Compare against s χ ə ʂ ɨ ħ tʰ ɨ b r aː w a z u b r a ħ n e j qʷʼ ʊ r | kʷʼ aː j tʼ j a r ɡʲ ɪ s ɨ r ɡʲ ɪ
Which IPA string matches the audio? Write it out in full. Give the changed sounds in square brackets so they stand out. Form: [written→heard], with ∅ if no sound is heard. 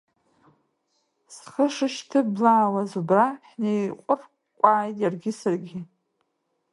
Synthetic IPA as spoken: s χ ə ʂ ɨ [ħ→ʃ] tʰ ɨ b [r→l] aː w a z u b r a ħ n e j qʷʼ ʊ r | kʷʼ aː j tʼ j a r ɡʲ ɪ s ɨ r ɡʲ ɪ